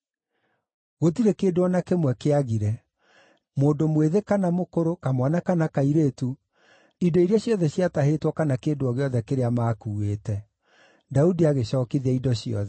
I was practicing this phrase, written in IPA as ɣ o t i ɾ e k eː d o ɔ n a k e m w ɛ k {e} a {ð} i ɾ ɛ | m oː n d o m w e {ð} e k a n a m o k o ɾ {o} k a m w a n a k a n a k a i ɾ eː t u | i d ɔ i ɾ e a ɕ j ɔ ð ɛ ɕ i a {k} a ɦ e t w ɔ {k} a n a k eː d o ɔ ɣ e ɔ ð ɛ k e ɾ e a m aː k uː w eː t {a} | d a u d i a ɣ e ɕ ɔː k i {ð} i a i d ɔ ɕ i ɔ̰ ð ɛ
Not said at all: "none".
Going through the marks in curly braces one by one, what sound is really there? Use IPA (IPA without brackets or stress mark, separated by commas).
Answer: e, ɣ, ð, o, t, k, ɛ, ð